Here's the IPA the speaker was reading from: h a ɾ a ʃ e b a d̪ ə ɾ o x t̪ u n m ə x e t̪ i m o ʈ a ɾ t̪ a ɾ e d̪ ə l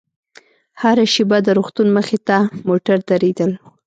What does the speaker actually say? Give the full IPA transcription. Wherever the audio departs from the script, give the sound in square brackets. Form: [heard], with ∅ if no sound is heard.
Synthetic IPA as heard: h a ɾ a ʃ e b a d̪ ə ɾ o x t̪ u n m ə x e t̪ [a] m o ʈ a ɾ [d̪] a ɾ e d̪ ə l